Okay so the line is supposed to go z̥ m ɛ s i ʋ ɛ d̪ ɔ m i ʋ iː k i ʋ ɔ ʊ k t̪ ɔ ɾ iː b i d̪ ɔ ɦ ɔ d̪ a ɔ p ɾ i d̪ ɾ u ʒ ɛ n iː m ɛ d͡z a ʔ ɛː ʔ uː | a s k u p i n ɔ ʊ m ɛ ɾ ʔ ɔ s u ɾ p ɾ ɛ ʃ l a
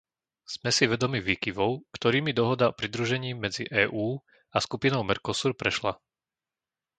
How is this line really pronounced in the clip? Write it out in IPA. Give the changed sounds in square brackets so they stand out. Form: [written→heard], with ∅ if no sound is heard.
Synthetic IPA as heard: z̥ m ɛ s i ʋ ɛ d̪ ɔ m i ʋ iː k i ʋ ɔ ʊ k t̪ ɔ ɾ iː [b→m] i d̪ ɔ ɦ ɔ d̪ a ɔ p ɾ i d̪ ɾ u ʒ ɛ [n→ɲ] iː m ɛ d͡z [a→i] ʔ ɛː ʔ uː | a s k u p i n ɔ ʊ m ɛ ɾ [ʔ→k] ɔ s u ɾ p ɾ ɛ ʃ l a